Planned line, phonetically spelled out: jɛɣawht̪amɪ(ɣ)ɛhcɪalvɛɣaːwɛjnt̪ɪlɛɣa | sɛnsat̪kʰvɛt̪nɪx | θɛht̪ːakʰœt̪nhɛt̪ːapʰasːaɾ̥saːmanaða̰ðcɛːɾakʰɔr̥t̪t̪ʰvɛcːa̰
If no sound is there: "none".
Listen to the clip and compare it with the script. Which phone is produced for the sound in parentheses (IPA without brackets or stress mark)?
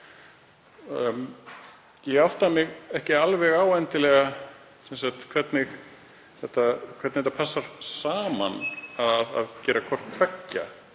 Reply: ɣ